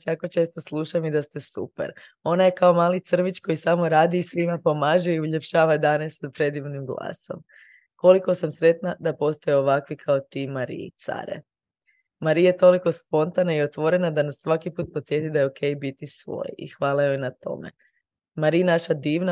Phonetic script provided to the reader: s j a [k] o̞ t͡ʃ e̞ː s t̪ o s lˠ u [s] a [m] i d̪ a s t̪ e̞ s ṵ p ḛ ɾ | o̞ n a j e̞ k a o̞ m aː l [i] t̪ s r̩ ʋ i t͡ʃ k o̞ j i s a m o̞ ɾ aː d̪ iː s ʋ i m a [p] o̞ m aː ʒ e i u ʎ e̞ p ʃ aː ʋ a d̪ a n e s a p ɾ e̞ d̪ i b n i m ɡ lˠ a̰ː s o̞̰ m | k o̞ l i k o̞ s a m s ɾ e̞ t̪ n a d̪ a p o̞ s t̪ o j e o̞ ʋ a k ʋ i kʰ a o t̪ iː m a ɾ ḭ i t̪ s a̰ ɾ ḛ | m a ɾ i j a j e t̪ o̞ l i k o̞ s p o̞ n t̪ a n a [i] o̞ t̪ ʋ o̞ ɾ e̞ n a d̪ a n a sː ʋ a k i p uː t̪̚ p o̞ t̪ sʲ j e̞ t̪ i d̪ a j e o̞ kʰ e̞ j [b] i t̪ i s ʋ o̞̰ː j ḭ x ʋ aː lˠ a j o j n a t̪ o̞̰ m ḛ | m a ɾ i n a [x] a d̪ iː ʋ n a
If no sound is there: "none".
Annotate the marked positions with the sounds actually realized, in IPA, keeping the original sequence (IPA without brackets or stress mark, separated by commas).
k, ʃ, m, i, p, i, b, ʃ